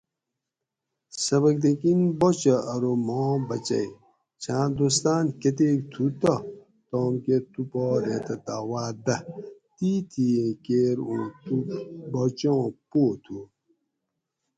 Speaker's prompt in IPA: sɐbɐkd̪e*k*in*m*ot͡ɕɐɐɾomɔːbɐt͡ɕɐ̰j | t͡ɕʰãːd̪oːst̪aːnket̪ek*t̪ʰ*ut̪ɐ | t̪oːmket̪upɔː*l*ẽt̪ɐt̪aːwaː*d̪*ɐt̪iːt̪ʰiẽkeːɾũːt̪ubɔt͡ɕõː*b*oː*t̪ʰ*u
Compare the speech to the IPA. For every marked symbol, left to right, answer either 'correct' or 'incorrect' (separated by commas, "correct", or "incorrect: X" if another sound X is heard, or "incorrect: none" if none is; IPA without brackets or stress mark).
correct, incorrect: b, correct, incorrect: ɾ, correct, incorrect: p, correct